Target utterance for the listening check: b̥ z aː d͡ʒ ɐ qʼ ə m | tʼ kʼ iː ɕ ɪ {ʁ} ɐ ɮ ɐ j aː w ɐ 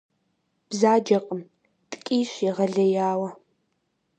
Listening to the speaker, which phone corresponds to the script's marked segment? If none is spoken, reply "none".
ʁ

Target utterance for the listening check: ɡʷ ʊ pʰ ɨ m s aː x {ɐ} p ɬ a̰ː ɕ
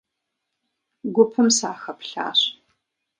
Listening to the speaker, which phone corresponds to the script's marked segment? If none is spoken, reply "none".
ɐ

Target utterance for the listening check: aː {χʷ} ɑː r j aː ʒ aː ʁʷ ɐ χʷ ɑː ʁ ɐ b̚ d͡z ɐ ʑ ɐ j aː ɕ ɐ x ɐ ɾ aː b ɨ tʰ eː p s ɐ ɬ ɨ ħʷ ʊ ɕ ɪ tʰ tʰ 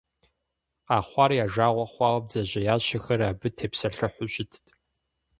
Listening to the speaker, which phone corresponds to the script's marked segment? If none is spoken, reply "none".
χʷ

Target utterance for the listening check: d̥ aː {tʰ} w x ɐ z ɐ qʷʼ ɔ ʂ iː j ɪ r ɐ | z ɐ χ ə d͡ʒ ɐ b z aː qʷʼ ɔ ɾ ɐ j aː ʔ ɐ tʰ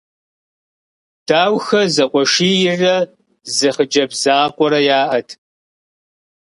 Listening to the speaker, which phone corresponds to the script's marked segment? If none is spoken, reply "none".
none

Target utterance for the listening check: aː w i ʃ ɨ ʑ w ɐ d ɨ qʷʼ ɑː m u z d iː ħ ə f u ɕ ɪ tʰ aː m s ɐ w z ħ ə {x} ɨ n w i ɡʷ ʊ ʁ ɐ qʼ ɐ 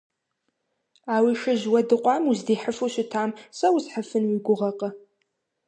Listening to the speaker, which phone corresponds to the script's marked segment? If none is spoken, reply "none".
f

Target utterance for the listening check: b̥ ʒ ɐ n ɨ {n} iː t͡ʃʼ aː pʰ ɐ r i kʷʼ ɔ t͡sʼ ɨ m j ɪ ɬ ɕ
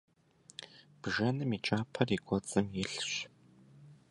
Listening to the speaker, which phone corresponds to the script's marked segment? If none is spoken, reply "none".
m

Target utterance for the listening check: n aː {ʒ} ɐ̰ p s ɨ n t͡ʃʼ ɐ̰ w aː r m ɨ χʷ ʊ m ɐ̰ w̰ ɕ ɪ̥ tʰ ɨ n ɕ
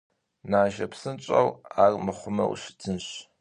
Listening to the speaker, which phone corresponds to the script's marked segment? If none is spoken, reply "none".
ʒ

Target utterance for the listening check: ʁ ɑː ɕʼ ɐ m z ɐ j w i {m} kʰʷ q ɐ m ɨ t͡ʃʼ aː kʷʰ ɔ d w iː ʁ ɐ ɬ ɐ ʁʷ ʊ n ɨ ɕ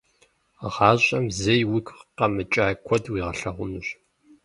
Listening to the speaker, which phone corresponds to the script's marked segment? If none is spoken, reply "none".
none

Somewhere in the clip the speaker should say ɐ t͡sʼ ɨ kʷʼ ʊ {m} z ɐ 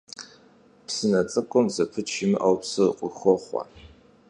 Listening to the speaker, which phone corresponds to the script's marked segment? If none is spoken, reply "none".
m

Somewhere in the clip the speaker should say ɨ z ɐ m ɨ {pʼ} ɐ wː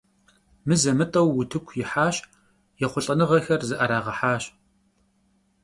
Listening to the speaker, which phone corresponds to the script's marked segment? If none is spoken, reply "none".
tʼ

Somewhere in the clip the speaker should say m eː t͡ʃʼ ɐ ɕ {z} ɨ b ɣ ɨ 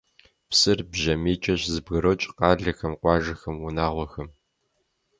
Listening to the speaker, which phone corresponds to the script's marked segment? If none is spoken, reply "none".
z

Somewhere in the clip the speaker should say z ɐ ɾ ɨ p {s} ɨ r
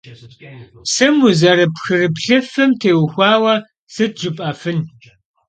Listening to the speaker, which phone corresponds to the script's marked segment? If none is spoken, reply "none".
x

